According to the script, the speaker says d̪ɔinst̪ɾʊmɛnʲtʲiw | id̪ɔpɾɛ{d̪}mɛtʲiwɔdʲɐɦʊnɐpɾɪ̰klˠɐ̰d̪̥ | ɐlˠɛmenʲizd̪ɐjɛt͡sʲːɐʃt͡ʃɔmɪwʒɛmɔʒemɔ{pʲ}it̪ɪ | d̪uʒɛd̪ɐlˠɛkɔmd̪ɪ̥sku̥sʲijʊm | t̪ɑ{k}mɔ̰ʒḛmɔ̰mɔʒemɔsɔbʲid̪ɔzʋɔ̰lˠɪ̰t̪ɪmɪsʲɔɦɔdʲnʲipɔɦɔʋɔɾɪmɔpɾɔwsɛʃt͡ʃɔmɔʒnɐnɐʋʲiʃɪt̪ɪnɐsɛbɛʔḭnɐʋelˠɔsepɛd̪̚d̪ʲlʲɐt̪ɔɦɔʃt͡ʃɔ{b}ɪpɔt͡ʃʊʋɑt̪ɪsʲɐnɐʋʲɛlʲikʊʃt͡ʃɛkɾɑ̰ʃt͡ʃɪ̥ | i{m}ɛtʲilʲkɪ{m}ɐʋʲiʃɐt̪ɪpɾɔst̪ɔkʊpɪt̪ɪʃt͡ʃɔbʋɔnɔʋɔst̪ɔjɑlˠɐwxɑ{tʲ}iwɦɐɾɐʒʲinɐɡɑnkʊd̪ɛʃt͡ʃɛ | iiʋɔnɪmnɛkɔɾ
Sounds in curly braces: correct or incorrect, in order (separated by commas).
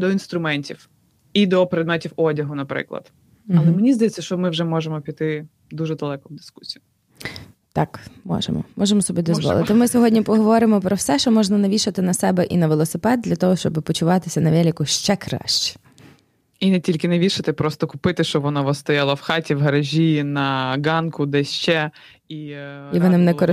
correct, correct, correct, correct, incorrect, incorrect, correct